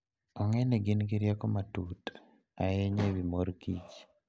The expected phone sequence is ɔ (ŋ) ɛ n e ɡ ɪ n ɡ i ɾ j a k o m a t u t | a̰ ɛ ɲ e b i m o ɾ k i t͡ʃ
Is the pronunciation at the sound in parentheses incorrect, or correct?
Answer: correct